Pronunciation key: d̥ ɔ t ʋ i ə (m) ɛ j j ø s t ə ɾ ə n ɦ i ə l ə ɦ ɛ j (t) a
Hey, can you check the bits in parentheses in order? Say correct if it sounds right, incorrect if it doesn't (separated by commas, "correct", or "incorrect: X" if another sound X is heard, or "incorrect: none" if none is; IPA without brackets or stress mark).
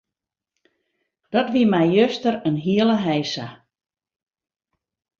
correct, incorrect: s